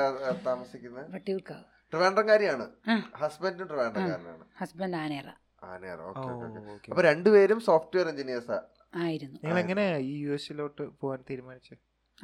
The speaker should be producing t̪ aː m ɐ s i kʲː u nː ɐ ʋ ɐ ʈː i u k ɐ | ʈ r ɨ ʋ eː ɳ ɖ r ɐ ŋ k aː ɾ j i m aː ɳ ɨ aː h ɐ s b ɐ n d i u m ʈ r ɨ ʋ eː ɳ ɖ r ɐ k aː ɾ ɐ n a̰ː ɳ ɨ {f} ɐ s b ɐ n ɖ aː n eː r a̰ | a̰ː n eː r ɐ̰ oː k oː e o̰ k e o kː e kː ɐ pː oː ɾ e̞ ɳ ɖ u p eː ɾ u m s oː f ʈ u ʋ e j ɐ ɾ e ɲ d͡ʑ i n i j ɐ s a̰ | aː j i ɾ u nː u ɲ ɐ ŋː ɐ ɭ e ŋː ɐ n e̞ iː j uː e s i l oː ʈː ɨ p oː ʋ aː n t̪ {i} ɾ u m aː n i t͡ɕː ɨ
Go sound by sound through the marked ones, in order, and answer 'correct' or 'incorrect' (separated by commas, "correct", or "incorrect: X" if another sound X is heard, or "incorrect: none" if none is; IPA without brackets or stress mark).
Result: incorrect: h, incorrect: iː